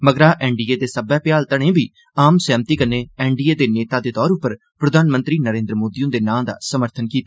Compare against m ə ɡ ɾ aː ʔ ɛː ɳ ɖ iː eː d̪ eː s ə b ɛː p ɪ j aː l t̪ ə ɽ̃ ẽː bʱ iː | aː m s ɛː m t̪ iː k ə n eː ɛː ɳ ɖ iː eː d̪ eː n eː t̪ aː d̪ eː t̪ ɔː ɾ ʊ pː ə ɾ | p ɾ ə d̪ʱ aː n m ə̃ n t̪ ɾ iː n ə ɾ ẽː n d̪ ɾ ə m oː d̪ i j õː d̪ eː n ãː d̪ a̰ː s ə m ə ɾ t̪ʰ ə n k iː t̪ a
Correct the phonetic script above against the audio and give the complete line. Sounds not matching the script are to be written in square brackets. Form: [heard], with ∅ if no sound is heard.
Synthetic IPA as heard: m ə ɡ ɾ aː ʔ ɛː ɳ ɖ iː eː d̪ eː s ə b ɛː p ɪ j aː l t̪ ə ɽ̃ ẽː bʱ iː | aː m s ɛː m t̪ iː k ə n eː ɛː ɳ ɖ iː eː d̪ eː n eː t̪ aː d̪ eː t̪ ɔː ɾ ʊ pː ə ɾ | p ɾ ə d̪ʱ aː n m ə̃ n t̪ ɾ iː n ə ɾ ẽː n d̪ ɾ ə m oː d̪ i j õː d̪ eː n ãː d̪ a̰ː s ə m ə ɾ t̪ʰ ə n k iː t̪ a

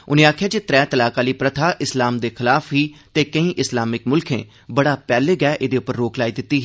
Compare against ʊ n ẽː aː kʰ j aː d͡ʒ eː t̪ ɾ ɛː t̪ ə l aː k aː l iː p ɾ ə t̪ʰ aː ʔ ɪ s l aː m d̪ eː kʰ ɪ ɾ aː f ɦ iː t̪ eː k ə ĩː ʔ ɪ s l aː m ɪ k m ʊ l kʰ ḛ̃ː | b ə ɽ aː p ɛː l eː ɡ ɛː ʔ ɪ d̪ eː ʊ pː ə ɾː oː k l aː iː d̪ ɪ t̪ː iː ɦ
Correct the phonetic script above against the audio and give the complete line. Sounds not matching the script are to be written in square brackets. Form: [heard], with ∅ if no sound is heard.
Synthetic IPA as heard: ʊ n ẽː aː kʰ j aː d͡ʒ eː t̪ ɾ ɛː t̪ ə l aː k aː l iː p ɾ ə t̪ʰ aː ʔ ɪ s l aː m d̪ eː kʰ ɪ [l] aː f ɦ iː t̪ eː k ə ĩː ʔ ɪ s l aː m ɪ k m ʊ l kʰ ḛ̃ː | b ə ɽ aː p ɛː l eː ɡ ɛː ʔ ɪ d̪ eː ʊ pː ə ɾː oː k l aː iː d̪ ɪ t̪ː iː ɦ

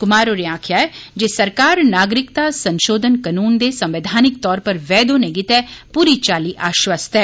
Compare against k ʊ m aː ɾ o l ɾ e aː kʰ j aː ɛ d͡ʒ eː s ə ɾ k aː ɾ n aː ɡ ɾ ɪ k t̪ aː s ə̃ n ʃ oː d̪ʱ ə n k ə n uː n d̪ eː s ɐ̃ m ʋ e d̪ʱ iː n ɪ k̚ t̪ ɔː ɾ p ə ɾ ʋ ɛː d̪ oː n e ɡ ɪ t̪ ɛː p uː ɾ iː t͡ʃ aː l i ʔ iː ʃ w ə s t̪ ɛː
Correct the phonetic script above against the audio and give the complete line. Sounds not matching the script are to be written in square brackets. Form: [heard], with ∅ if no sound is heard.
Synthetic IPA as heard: k ʊ m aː ɾ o [∅] ɾ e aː kʰ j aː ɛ d͡ʒ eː s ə ɾ k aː ɾ n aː ɡ ɾ ɪ k t̪ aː s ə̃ n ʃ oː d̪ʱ ə n k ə n uː n d̪ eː s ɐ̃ m ʋ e d̪ʱ [aː] n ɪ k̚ t̪ ɔː ɾ p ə ɾ ʋ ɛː d̪ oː n e ɡ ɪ t̪ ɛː p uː ɾ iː t͡ʃ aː l i ʔ [aː] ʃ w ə s t̪ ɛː

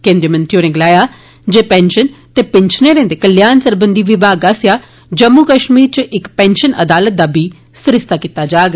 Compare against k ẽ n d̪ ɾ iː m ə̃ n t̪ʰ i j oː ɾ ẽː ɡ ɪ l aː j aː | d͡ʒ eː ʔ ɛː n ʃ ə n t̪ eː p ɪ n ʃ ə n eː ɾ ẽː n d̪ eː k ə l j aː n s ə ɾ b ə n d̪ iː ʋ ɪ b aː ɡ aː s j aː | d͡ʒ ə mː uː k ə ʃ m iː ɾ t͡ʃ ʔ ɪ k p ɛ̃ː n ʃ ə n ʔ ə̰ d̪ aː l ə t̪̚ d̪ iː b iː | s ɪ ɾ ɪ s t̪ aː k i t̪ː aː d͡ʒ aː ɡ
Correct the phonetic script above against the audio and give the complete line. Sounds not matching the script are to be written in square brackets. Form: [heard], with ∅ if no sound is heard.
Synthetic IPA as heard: k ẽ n d̪ ɾ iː m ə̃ n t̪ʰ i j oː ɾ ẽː ɡ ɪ l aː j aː | d͡ʒ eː [p] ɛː n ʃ ə n t̪ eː p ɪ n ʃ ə n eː ɾ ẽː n d̪ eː k ə l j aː n s ə ɾ b ə n d̪ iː ʋ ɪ b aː ɡ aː s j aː | d͡ʒ ə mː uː k ə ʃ m iː ɾ t͡ʃ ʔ ɪ k p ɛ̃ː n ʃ ə n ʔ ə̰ d̪ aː l ə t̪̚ d̪ [aː] b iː | s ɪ ɾ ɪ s t̪ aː k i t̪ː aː d͡ʒ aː ɡ

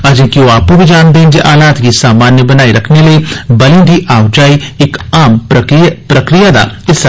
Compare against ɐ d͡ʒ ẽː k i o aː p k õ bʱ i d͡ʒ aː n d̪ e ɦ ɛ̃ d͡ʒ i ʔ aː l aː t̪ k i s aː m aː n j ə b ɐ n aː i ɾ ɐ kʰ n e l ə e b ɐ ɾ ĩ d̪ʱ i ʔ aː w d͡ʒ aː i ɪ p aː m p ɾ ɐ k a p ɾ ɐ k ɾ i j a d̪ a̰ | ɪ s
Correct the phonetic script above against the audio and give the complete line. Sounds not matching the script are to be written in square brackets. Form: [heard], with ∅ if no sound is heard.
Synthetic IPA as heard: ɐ d͡ʒ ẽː k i o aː p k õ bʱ i d͡ʒ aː n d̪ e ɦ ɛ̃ d͡ʒ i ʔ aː l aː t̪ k i s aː m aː n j ə b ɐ n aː i ɾ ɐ kʰ n e l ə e b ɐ [l] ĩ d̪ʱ i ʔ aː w d͡ʒ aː i ɪ [k] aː m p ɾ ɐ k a p ɾ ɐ k ɾ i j a d̪ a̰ | ɪ s

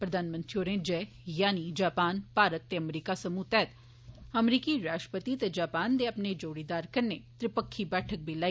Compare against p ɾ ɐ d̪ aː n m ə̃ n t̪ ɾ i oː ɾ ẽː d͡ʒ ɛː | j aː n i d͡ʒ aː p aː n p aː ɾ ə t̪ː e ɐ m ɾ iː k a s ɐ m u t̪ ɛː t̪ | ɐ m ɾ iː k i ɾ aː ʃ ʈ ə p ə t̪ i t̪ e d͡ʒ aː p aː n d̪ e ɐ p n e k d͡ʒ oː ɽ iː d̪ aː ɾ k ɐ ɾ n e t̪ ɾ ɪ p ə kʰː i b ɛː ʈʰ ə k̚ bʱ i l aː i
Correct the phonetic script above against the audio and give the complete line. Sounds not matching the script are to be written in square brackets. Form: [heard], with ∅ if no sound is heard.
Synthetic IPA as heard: p ɾ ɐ d̪ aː n m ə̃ n t̪ ɾ i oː ɾ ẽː d͡ʒ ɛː | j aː n i d͡ʒ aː p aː n p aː ɾ ə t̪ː e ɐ m ɾ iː k a s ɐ m u t̪ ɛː t̪ | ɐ m ɾ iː k i ɾ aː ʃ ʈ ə p ə t̪ i t̪ e d͡ʒ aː p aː n d̪ e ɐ p n e [∅] d͡ʒ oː ɽ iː d̪ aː ɾ k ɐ ɾ n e t̪ ɾ ɪ p ə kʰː i b ɛː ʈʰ ə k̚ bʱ i l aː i

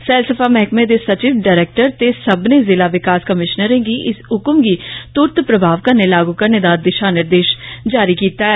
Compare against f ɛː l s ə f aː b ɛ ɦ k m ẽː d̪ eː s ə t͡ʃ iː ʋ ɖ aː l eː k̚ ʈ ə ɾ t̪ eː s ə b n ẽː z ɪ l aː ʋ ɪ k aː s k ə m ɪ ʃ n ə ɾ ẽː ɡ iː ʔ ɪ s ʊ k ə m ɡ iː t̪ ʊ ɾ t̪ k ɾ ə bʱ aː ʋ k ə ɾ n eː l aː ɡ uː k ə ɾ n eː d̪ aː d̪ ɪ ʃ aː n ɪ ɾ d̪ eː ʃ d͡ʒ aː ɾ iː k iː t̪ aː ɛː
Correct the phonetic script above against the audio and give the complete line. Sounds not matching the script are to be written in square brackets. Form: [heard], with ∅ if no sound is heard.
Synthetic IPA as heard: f ɛː l s ə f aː [m] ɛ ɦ k m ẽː d̪ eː s ə t͡ʃ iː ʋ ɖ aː [ɾ] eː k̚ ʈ ə ɾ t̪ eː s ə b n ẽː z ɪ l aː ʋ ɪ k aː s k ə m ɪ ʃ n ə ɾ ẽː ɡ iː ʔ ɪ s ʊ k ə m ɡ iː t̪ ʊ ɾ t̪ [p] ɾ ə bʱ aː ʋ k ə ɾ n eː l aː ɡ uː k ə ɾ n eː d̪ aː d̪ ɪ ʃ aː n ɪ ɾ d̪ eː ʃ d͡ʒ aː ɾ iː k iː t̪ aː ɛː

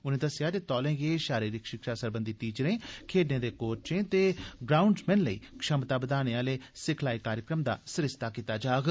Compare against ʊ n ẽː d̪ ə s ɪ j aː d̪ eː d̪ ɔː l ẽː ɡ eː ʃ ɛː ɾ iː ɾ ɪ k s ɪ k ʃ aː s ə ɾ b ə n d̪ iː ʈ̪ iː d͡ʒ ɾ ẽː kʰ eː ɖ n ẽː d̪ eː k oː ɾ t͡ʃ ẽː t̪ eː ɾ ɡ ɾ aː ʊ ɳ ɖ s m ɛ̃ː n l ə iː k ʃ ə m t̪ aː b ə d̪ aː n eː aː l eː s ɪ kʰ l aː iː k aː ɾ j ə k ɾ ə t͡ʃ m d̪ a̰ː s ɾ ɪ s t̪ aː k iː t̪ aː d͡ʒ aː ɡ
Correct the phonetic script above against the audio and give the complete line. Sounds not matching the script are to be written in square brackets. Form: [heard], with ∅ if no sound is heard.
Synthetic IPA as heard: ʊ n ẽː d̪ ə s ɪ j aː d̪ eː [t̪] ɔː l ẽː ɡ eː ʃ [aː] ɾ iː ɾ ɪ k [ʃ] ɪ k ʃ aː s ə ɾ b ə n d̪ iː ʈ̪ iː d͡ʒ ɾ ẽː kʰ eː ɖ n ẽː d̪ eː k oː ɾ t͡ʃ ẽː t̪ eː [∅] ɡ ɾ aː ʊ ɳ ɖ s m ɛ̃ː n l ə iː k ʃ ə m t̪ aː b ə d̪ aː n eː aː l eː s ɪ kʰ l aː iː k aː ɾ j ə k ɾ ə [∅] m d̪ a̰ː s ɾ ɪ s t̪ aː k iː t̪ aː d͡ʒ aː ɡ

